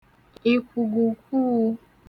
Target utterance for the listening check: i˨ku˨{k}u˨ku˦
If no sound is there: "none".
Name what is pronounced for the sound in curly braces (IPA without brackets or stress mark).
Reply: ɡ